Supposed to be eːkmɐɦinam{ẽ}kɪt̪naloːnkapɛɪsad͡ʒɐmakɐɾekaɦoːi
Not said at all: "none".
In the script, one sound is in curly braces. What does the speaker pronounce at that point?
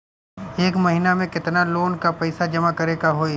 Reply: ẽ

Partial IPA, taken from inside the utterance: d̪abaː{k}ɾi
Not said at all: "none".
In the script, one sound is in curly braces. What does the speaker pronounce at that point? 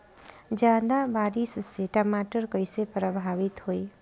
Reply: none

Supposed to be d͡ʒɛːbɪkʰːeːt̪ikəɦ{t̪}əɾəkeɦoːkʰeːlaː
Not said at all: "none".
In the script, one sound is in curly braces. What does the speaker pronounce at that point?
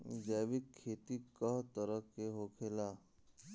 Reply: t̪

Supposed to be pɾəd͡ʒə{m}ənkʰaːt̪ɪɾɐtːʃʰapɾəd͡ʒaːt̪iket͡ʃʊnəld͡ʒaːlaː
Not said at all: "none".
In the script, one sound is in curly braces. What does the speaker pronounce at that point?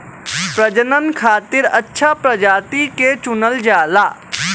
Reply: n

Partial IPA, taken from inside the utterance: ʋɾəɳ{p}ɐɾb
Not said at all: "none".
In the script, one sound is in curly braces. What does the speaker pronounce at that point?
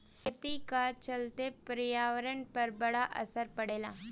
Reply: p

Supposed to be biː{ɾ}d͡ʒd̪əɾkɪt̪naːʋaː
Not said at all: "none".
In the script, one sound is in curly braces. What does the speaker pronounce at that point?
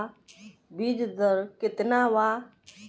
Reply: none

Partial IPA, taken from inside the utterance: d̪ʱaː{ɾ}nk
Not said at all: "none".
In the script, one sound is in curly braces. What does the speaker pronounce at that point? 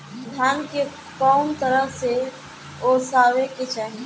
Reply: none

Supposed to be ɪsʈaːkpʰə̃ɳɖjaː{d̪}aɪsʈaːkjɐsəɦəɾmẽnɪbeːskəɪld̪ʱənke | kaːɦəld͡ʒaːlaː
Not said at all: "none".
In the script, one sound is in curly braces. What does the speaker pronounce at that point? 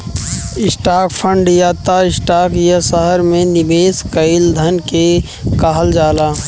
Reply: t̪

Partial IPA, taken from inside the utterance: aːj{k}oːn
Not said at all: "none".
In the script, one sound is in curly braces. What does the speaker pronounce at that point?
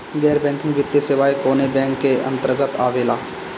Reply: k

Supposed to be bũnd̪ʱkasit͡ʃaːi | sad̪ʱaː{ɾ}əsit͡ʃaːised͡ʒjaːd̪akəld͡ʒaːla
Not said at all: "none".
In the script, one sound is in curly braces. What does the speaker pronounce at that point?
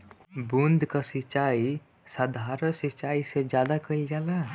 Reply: ɾ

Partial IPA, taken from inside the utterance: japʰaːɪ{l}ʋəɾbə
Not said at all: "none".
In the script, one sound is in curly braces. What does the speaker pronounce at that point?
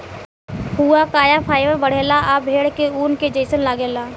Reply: none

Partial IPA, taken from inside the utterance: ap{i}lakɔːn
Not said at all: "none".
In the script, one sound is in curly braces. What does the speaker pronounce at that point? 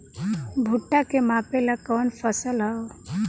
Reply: e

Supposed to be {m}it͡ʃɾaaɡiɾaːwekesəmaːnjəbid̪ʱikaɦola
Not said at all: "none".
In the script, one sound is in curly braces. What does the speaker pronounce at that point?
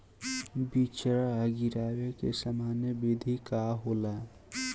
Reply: b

